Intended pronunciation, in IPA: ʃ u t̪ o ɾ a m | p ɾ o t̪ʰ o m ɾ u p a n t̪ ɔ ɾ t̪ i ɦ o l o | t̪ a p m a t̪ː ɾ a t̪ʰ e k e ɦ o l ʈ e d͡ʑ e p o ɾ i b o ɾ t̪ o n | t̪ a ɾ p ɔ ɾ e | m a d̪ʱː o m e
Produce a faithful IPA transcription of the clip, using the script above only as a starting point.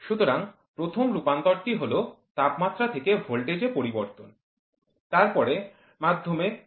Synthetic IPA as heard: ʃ u t̪ o ɾ a ŋ | p ɾ o t̪ʰ o m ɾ u p a n t̪ ɔ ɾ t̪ i ɦ o l o | t̪ a p m a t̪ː ɾ a t̪ʰ e k e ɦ o l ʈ e d͡ʑ e p o ɾ i b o ɾ t̪ o n | t̪ a ɾ p ɔ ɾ e | m a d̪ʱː o m e